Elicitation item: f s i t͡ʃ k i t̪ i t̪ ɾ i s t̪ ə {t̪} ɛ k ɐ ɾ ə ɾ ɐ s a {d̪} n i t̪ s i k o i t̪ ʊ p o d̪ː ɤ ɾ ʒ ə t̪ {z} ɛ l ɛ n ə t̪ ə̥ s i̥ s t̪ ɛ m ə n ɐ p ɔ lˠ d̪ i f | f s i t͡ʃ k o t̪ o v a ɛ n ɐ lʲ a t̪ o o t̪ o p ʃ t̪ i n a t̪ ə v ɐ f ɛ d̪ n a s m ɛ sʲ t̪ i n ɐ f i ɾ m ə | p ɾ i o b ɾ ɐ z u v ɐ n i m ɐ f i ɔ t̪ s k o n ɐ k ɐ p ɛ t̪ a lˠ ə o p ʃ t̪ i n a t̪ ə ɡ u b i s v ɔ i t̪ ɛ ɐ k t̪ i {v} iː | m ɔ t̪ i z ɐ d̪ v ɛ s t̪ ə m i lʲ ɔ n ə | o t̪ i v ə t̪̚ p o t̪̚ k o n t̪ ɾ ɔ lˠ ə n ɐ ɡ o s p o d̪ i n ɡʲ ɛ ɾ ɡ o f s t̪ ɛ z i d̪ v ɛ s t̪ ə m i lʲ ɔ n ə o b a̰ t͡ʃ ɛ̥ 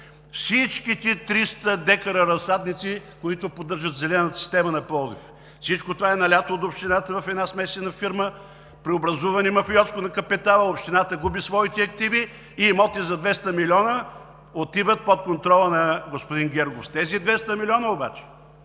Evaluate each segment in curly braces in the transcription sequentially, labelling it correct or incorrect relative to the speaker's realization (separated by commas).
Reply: incorrect, correct, correct, correct